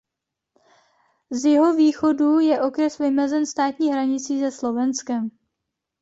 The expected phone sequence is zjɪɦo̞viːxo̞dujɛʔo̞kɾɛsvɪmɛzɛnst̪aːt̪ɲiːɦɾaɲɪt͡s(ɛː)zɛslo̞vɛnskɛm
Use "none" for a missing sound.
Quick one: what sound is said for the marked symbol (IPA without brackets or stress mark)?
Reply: iː